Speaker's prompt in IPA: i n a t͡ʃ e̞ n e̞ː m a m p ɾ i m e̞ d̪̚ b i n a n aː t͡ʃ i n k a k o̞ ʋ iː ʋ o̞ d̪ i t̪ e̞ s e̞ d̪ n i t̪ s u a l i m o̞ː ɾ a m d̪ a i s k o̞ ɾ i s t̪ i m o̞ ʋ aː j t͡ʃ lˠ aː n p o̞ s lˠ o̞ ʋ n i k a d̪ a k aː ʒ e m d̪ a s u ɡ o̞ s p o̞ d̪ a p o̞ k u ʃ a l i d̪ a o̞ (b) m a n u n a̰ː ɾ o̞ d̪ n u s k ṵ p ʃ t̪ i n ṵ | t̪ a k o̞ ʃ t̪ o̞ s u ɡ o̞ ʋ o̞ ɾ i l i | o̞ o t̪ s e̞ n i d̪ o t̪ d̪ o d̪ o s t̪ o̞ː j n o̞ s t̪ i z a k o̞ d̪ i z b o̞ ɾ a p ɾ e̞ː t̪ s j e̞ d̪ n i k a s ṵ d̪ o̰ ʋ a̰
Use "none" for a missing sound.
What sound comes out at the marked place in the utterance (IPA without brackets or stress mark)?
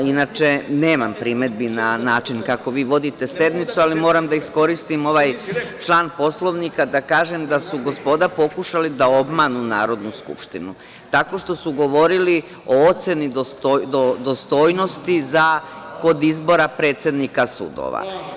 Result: b